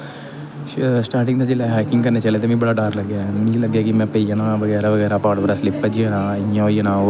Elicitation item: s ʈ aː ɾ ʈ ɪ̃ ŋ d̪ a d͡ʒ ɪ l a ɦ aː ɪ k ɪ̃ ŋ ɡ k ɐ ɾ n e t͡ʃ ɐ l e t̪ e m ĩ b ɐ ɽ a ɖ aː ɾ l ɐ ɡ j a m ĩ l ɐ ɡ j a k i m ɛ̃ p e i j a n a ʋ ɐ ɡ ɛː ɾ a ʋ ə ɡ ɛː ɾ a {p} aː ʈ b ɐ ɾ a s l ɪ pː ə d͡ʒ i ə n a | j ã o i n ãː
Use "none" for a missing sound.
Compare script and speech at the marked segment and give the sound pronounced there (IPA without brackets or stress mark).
p